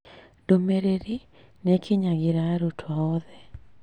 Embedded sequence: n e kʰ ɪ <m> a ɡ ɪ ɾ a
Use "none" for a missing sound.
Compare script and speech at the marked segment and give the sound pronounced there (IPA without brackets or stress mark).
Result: ɲ